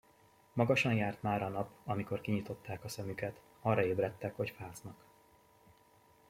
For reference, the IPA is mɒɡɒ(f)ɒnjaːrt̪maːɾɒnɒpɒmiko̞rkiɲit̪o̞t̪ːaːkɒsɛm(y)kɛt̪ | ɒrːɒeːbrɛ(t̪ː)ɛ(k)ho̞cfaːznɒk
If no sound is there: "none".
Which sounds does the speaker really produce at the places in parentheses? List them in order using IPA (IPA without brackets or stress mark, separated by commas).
ʃ, y, t̪ː, k